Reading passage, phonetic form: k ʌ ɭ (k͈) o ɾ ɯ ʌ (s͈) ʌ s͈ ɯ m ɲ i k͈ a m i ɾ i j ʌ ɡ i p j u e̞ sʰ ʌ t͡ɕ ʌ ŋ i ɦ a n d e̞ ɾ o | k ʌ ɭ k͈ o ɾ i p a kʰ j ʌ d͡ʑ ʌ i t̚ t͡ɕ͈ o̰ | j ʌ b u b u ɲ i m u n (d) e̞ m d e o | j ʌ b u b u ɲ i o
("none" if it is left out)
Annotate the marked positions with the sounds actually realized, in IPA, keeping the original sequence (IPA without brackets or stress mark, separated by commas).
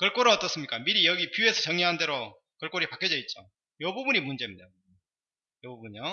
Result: k͈, t͈, d͡ʑ